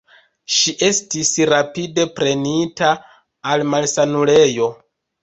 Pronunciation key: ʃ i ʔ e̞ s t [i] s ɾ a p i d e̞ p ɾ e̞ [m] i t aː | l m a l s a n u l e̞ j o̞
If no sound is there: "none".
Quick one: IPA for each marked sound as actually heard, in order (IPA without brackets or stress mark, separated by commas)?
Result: i, n